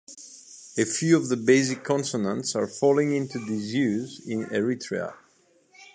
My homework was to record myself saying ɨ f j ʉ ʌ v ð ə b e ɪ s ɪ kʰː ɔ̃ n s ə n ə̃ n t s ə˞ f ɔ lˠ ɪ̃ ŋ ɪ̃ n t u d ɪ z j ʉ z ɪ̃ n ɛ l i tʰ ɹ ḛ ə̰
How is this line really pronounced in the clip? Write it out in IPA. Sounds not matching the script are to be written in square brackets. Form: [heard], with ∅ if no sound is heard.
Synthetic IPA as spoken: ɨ f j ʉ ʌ v ð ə b e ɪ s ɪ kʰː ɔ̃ n s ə n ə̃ n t s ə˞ f ɔ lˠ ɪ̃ ŋ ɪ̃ n t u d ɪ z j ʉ z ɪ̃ n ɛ [ɹ] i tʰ ɹ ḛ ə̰